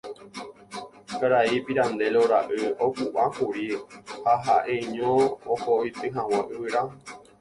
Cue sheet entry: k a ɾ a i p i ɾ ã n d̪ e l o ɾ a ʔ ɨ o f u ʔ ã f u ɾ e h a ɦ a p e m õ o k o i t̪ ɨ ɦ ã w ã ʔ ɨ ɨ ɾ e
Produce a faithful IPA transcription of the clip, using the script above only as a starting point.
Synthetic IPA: k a ɾ a i p i ɾ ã n d̪ e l o ɾ a ʔ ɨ o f u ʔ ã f u ɾ i h a ɦ a ʔ e ɲ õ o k o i t̪ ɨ ɦ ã w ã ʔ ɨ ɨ ɾ a